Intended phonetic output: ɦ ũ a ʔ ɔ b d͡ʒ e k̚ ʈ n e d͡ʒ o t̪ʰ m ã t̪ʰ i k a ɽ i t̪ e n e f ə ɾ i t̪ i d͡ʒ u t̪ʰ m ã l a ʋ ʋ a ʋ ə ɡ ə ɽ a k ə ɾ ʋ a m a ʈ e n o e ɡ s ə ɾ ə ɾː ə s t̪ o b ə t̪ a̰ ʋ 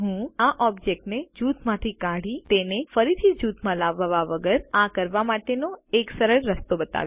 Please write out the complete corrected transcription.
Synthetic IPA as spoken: ɦ ũ a ʔ ɔ b d͡ʒ e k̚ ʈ n e d͡ʒ u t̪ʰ m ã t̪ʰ i k a ɽ i t̪ e n e f ə ɾ i t̪ʰ i d͡ʒ u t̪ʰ m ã l a ʋ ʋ a ʋ ə ɡ ə ɾ a k ə ɾ ʋ a m a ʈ e n o e k s ə ɾ ə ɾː ə s t̪ o b ə t̪ a̰ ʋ